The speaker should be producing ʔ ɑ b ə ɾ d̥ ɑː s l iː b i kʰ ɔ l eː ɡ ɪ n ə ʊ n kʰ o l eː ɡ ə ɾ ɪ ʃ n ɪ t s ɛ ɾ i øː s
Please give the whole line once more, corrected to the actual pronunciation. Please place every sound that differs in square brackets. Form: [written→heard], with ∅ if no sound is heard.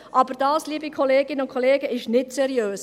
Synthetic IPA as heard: ʔ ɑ b ə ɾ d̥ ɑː s l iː b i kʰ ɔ l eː ɡ ɪ n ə ʊ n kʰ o l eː ɡ ə [ɾ→∅] ɪ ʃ n ɪ t s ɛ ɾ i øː s